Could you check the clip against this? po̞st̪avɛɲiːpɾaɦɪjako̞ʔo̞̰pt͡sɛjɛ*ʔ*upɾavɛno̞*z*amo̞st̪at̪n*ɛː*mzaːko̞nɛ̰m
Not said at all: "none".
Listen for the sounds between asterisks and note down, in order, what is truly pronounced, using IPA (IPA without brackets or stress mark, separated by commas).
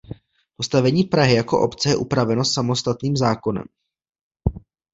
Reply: ʔ, s, iː